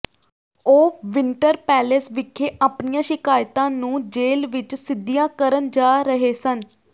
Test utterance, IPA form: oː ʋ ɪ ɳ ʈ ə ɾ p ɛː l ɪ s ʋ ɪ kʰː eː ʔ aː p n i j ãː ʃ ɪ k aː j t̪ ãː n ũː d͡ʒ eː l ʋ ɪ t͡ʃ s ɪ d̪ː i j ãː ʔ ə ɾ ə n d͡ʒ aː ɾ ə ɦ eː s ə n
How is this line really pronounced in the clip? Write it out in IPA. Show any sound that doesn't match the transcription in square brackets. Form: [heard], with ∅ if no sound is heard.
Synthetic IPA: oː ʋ ɪ ɳ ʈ ə ɾ p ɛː l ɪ s ʋ ɪ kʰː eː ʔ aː p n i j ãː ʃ ɪ k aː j t̪ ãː n ũː d͡ʒ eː l ʋ ɪ t͡ʃ s ɪ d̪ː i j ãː [k] ə ɾ ə n d͡ʒ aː ɾ ə ɦ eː s ə n